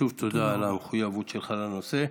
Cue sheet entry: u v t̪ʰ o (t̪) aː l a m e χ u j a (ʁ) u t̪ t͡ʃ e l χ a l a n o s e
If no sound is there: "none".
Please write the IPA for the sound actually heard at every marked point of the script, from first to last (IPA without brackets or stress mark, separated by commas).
d̪, v